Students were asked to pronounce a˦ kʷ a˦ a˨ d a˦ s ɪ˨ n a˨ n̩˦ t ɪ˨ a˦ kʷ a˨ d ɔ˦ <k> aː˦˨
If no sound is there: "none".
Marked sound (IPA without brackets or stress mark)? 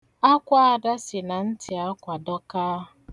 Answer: k